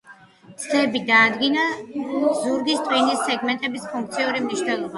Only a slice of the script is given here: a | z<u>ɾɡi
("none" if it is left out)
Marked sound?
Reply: u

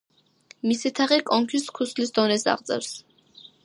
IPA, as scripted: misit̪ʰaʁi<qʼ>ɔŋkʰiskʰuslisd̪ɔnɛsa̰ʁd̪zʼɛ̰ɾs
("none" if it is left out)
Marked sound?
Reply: kʼ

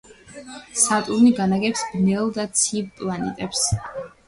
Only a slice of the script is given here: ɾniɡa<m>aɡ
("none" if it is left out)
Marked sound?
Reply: n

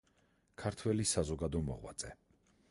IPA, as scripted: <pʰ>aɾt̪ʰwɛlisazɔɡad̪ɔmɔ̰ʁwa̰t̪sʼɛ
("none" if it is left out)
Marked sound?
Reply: kʰ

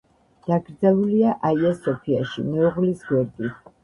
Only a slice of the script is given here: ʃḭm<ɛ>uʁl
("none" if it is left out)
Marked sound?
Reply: ɛ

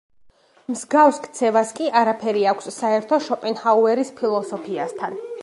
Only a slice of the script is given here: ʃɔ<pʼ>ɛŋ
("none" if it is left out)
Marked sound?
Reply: pʼ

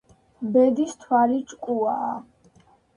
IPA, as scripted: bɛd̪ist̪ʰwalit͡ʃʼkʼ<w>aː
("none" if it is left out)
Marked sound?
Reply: u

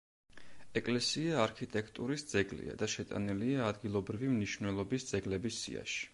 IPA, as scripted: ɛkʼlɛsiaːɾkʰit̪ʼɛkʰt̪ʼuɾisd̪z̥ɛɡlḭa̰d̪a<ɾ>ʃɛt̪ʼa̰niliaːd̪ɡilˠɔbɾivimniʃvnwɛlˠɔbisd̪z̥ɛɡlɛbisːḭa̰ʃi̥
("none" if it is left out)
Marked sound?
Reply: none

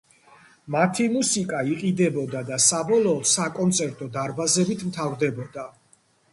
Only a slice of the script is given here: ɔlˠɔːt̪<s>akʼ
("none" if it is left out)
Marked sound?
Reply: s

